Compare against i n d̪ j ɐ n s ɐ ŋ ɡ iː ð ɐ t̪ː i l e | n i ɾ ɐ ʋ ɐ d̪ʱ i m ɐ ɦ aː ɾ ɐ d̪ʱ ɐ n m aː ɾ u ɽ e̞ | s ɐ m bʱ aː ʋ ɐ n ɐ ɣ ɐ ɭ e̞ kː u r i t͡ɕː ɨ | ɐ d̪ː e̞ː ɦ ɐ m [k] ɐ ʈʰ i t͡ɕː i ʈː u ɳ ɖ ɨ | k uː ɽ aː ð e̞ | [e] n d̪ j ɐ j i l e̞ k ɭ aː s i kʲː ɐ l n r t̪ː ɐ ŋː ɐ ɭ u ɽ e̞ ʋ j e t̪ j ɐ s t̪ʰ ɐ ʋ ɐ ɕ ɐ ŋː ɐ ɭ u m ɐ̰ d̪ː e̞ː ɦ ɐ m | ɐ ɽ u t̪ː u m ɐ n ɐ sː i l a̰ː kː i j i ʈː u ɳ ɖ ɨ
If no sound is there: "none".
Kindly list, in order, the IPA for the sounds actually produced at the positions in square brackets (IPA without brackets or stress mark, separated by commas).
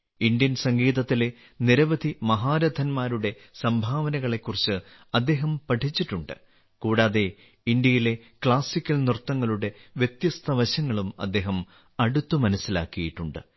p, i